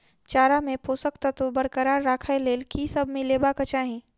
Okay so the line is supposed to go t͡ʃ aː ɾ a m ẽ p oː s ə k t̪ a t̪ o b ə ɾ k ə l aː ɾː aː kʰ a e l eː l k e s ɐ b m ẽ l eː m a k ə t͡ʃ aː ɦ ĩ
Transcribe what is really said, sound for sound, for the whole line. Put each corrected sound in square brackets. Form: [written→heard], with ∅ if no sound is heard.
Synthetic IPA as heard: t͡ʃ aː ɾ a m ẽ p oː s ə k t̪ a t̪ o b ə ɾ k ə [l→ɾ] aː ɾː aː kʰ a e l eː l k [e→i] s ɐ b m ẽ l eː [m→b] a k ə t͡ʃ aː ɦ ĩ